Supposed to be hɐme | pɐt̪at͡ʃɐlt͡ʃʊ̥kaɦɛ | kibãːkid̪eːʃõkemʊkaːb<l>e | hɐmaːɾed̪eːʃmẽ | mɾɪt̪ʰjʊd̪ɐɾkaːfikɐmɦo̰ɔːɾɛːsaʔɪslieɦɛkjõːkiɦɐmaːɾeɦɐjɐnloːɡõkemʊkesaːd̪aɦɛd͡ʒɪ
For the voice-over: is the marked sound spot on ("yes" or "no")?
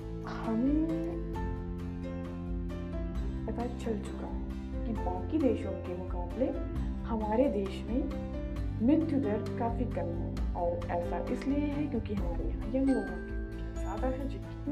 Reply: yes